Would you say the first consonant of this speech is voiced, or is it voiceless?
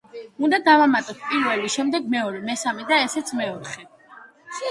voiced